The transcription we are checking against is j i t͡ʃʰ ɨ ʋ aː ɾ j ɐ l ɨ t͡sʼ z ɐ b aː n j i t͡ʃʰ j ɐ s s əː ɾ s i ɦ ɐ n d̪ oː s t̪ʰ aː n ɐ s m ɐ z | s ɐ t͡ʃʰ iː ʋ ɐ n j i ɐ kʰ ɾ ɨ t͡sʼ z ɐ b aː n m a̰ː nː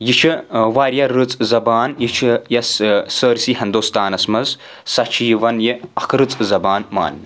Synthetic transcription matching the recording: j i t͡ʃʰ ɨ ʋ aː ɾ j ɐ ɾ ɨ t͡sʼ z ɐ b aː n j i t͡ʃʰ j ɐ s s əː ɾ s i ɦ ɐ n d̪ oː s t̪ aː n ɐ s m ɐ z | s ɐ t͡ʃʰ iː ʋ ɐ n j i ɐ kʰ ɾ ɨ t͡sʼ z ɐ b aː n m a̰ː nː